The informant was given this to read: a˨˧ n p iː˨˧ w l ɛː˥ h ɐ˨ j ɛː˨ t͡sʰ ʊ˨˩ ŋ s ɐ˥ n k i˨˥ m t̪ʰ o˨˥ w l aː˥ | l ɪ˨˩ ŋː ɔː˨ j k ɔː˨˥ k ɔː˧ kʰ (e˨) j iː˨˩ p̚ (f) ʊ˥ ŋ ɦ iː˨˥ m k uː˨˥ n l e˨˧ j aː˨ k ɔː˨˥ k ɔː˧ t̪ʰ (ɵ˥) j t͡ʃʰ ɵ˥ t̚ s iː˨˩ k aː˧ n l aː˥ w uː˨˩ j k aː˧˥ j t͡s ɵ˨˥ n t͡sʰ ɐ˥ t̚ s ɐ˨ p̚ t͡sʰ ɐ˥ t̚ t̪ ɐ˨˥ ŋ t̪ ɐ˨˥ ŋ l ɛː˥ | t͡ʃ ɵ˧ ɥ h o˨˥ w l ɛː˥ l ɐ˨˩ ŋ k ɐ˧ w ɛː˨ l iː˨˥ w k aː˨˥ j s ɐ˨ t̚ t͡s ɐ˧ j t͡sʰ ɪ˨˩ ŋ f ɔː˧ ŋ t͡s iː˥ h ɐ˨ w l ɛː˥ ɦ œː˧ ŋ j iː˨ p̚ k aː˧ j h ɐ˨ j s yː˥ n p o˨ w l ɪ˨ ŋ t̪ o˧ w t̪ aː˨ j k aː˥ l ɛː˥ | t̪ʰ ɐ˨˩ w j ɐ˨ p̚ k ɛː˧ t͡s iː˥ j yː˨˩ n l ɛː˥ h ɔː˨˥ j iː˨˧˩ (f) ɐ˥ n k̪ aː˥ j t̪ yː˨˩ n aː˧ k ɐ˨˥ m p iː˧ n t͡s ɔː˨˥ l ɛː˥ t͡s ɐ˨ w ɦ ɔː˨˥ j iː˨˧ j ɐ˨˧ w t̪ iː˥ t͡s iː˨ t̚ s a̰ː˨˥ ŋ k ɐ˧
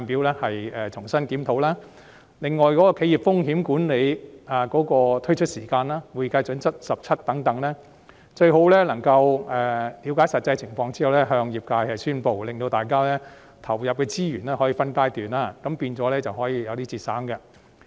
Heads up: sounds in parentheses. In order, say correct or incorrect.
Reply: incorrect: e˨˥, correct, correct, correct

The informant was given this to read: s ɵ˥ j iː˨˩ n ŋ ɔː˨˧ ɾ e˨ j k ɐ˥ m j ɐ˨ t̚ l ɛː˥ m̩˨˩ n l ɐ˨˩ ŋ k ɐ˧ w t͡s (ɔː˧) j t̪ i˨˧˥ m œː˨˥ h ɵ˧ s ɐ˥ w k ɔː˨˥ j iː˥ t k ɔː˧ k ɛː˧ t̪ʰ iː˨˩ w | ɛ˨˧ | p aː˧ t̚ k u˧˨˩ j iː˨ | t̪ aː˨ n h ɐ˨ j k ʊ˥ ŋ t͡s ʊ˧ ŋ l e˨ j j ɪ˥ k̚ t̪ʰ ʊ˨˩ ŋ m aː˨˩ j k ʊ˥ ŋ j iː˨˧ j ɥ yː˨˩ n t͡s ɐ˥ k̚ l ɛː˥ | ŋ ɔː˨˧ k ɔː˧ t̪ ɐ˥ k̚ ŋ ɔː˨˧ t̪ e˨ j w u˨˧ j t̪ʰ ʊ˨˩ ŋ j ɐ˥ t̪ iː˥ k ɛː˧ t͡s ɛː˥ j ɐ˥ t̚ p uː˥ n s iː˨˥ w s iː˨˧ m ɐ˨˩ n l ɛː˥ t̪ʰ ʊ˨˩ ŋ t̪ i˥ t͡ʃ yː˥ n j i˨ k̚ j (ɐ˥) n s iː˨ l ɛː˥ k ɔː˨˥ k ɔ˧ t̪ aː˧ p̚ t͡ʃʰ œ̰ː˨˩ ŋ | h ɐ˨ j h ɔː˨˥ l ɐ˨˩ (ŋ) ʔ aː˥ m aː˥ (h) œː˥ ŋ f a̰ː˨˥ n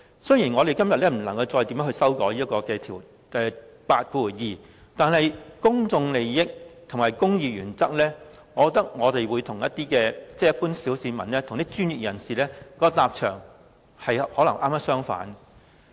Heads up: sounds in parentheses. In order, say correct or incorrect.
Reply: correct, incorrect: ɐ˨˩, correct, incorrect: s

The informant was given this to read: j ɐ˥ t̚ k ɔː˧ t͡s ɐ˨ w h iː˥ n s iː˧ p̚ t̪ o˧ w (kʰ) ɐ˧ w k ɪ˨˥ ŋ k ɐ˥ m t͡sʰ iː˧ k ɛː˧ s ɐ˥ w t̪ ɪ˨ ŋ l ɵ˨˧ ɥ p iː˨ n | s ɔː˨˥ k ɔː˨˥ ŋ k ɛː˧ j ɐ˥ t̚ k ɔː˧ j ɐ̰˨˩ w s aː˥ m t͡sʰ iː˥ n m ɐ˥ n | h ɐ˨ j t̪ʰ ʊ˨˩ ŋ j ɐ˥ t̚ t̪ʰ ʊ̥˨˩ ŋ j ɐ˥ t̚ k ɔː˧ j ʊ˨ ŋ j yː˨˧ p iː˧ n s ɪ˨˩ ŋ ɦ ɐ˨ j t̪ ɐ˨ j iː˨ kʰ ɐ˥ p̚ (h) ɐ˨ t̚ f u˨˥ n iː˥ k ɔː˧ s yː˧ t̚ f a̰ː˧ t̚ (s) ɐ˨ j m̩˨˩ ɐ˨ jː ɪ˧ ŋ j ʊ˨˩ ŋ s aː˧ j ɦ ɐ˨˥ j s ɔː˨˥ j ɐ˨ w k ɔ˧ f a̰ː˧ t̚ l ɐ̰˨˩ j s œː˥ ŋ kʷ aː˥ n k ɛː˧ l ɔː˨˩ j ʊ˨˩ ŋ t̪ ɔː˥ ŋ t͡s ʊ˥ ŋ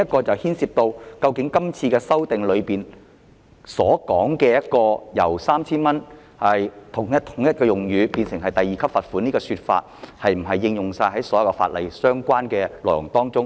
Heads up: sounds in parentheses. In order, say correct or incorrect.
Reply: incorrect: k, incorrect: f, incorrect: h

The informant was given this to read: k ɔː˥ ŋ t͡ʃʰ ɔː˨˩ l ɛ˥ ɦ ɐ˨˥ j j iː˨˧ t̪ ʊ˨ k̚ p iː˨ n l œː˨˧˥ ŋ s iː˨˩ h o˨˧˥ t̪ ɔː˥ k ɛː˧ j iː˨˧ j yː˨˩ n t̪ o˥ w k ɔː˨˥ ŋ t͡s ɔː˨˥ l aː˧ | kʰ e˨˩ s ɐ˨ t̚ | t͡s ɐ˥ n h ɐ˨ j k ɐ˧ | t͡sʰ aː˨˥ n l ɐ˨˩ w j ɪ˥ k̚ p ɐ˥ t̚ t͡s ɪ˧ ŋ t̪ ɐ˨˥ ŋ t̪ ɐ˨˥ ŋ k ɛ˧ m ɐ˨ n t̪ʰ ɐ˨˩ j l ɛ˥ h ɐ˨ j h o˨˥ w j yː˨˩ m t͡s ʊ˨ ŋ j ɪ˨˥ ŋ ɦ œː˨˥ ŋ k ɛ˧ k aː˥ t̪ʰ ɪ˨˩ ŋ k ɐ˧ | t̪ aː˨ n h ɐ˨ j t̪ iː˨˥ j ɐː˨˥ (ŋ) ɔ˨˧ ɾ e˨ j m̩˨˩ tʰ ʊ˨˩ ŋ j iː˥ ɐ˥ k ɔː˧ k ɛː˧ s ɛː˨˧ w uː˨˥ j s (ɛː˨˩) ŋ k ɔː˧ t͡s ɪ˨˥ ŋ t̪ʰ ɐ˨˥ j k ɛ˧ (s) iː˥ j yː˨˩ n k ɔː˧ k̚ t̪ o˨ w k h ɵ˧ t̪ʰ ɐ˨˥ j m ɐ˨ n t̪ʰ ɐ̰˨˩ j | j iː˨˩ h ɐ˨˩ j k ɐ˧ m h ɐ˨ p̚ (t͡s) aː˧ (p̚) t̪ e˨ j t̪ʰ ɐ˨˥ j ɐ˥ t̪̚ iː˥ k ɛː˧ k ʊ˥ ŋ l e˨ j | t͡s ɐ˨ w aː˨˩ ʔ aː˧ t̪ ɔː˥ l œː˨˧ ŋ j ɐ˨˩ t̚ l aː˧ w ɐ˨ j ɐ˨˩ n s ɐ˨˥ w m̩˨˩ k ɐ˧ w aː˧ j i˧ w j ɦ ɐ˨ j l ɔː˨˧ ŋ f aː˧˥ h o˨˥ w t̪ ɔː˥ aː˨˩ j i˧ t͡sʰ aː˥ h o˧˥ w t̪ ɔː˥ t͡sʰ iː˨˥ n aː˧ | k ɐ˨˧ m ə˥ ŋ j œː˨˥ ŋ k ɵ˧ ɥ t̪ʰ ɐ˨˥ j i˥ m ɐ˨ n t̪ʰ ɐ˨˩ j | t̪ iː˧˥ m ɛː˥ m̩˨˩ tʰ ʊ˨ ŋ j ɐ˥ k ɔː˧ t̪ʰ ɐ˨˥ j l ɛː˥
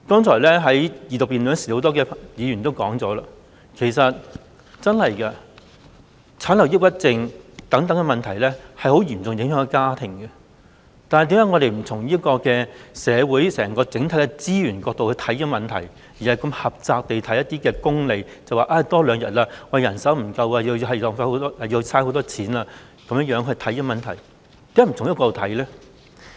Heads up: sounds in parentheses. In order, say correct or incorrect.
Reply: correct, correct, incorrect: t͡s, correct, incorrect: k̚

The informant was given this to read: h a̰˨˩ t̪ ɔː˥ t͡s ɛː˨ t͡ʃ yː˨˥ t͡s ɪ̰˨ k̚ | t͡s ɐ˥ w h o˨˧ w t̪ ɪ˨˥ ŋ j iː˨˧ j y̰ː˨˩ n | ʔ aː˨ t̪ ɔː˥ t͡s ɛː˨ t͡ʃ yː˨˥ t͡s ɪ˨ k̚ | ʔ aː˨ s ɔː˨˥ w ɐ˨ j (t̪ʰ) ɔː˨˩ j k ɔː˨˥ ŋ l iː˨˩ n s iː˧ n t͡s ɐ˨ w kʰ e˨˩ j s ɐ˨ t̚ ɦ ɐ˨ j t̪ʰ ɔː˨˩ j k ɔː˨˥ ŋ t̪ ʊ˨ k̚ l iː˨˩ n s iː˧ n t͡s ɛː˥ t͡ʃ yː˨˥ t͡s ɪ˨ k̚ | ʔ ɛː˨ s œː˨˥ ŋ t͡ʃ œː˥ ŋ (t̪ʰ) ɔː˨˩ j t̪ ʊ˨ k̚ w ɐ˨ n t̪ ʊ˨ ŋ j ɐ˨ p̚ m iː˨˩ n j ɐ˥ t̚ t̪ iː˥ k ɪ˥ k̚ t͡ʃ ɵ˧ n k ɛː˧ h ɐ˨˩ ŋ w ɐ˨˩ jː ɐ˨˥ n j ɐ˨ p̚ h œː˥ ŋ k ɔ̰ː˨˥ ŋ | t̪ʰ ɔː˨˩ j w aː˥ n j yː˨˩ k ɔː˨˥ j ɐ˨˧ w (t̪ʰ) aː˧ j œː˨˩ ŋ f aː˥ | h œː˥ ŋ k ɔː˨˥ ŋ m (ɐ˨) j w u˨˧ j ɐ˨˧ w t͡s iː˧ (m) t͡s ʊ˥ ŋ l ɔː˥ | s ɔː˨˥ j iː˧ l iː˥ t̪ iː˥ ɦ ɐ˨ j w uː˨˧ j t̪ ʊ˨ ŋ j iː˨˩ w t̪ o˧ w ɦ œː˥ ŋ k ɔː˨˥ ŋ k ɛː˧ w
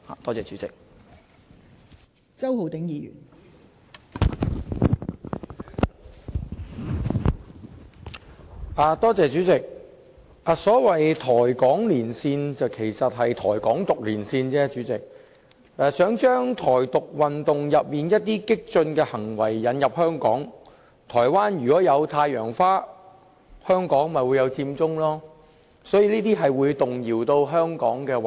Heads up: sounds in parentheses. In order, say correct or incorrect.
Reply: correct, correct, correct, correct, correct

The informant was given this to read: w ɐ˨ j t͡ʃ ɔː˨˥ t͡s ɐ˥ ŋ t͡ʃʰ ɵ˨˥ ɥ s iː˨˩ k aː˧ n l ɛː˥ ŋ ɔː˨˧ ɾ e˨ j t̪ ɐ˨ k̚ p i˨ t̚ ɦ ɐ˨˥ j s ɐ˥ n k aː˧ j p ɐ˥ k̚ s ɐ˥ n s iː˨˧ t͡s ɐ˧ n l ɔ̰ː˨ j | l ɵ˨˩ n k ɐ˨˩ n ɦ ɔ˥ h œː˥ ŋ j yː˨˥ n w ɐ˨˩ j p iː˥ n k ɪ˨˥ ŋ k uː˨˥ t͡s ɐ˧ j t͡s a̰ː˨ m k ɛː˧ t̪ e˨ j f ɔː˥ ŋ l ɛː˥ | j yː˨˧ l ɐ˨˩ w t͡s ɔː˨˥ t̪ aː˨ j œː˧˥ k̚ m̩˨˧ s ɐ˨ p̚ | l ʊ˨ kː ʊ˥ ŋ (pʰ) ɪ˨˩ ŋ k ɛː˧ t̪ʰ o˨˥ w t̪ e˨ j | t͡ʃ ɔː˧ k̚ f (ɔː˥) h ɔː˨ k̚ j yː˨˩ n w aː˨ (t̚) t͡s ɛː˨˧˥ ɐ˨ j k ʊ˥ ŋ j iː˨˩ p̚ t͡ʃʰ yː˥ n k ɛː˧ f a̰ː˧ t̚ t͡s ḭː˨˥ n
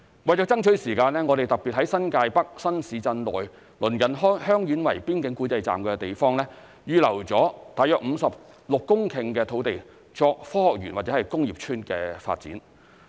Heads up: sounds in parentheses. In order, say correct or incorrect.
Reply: incorrect: kʰ, correct, correct

